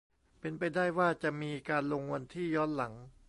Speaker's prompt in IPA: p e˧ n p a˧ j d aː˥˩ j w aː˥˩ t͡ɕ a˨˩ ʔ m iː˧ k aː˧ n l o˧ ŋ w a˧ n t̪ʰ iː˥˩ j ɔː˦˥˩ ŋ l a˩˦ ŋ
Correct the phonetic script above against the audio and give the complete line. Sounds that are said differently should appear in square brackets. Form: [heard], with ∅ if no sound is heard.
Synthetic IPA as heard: p e˧ n p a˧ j d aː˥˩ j w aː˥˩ t͡ɕ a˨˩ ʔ m iː˧ k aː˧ n l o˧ ŋ w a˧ n t̪ʰ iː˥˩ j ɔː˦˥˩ [n] l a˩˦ ŋ